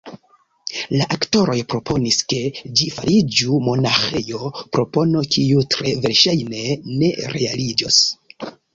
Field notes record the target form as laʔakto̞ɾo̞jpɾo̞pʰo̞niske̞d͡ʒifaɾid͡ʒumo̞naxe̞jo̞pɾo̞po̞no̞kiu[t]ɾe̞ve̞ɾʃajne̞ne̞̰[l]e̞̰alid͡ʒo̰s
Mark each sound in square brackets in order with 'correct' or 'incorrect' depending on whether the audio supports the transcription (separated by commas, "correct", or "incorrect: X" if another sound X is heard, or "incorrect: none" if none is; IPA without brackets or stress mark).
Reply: correct, incorrect: ɾ